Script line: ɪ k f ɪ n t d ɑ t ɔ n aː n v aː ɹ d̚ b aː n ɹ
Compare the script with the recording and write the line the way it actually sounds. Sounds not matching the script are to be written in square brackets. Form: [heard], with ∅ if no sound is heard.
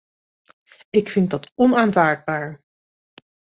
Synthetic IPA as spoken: ɪ k f ɪ n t d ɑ t ɔ n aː n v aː ɹ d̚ b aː [∅] ɹ